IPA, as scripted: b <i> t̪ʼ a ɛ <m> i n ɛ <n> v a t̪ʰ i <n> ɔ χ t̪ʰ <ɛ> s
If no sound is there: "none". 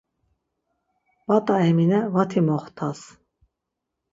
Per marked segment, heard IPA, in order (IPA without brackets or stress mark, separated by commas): a, m, none, m, a